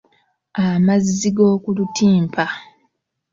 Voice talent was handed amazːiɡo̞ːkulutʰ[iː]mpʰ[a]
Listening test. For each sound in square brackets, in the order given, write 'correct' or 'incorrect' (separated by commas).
correct, correct